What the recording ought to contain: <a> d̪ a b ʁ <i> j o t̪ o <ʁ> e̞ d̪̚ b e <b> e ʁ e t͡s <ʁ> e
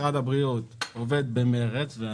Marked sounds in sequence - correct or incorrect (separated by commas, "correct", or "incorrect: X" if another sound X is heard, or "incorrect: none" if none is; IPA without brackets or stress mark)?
correct, correct, incorrect: v, incorrect: m, incorrect: v